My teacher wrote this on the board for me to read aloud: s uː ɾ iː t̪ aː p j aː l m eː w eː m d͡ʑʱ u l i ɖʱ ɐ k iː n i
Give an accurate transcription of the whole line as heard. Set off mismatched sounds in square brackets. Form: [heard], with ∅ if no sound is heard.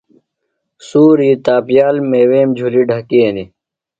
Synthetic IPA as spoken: s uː ɾ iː t̪ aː p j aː l m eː w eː m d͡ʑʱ u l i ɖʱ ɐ k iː n i